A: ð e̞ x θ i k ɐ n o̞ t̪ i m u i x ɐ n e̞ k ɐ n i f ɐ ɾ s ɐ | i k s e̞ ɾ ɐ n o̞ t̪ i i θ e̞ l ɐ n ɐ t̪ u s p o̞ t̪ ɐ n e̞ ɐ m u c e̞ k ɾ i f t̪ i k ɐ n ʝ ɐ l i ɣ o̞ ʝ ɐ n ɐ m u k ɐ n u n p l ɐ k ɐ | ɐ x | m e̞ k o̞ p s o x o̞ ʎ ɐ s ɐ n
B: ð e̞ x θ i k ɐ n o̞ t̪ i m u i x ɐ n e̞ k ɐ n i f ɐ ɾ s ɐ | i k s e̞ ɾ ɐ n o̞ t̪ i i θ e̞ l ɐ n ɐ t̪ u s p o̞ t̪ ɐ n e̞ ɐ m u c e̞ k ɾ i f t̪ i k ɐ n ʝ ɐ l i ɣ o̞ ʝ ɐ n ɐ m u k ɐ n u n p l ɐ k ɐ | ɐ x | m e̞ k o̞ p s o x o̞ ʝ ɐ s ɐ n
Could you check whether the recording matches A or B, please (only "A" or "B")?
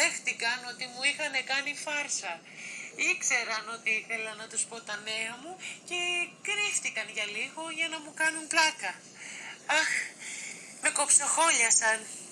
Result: A